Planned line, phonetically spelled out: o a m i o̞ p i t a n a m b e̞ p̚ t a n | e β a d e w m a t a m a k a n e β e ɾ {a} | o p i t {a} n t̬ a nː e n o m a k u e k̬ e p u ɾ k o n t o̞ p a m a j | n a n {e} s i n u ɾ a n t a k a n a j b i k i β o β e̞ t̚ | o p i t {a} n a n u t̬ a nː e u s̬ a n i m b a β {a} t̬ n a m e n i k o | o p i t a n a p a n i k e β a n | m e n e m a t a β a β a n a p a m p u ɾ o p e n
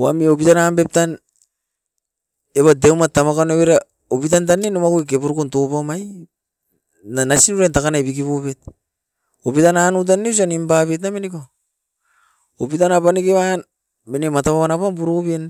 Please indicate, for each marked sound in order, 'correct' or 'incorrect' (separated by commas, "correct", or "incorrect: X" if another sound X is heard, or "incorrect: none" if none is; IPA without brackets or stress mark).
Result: correct, correct, incorrect: a, correct, incorrect: e